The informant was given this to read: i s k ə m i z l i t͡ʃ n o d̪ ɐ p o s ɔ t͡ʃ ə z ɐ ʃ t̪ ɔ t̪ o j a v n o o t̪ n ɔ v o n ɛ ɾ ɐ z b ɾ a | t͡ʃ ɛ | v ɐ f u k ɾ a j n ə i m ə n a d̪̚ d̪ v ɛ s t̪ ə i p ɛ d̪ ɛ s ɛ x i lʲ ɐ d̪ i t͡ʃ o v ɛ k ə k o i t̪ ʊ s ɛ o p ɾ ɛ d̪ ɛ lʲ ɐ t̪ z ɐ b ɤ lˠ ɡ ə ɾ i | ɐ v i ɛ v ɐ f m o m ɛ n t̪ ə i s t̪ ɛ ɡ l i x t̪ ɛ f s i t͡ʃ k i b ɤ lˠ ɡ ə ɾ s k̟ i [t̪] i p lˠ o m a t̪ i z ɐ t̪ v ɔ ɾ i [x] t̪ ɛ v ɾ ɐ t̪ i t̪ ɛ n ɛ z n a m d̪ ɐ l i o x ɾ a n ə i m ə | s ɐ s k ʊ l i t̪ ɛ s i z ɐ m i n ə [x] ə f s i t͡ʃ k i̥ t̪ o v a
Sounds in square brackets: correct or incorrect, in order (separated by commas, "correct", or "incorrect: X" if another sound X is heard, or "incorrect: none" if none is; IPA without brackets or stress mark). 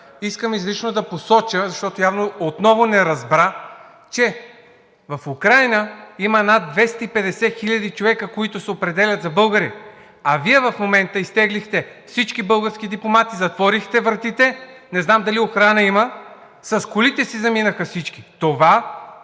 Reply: incorrect: d̪, correct, correct